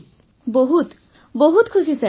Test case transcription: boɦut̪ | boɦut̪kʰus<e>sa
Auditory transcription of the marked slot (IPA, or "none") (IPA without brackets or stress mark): i